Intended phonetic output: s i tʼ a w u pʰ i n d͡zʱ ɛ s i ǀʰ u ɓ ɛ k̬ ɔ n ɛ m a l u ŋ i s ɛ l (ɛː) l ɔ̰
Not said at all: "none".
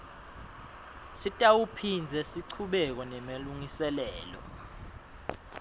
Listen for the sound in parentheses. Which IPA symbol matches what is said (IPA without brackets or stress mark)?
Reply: ɛː